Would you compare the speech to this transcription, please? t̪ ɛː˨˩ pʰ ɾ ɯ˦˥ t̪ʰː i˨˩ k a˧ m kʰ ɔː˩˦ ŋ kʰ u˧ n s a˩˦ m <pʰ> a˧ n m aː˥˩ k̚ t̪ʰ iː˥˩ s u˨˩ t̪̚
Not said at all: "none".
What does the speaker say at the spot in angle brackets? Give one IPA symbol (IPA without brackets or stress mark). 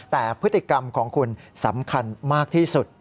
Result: kʰ